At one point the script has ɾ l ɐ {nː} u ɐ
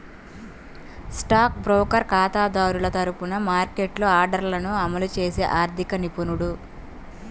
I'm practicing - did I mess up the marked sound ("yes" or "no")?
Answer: yes